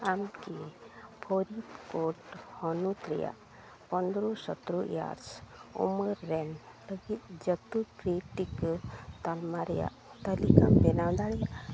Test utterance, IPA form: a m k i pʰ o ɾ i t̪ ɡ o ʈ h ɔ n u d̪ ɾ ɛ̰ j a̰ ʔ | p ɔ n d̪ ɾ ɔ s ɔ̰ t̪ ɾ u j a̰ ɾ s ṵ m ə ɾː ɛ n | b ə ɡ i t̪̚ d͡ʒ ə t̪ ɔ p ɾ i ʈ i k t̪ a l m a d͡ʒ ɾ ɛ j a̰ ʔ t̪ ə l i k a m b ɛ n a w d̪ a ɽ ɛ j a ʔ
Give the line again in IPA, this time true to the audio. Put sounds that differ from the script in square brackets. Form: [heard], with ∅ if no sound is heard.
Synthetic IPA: a m k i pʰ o ɾ i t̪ [k] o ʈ h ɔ n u [t̪] ɾ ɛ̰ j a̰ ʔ | p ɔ n d̪ ɾ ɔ s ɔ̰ t̪ ɾ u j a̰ ɾ s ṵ m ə ɾː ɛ n | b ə ɡ i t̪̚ d͡ʒ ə t̪ [u] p ɾ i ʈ i k t̪ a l m a [∅] ɾ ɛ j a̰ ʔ t̪ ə l i k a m b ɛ n a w d̪ a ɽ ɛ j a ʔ